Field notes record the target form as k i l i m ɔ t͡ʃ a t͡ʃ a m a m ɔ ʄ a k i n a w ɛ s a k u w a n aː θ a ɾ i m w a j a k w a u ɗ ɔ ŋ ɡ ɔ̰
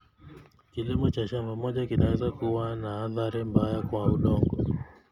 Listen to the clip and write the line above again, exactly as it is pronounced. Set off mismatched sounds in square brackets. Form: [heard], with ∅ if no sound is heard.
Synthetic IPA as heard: k i l i m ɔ t͡ʃ a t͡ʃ a m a m ɔ ʄ a k i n a w ɛ [z] a k u w a n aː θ a ɾ i m [b] a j a k w a u ɗ ɔ ŋ ɡ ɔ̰